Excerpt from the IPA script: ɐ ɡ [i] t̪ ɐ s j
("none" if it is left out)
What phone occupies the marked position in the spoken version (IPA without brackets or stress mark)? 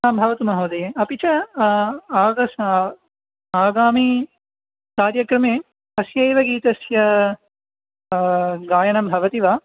iː